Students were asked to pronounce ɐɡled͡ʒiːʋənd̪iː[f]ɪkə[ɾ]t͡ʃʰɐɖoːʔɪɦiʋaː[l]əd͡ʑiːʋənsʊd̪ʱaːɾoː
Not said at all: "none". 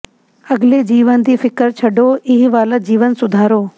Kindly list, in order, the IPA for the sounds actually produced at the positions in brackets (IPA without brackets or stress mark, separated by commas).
f, ɾ, l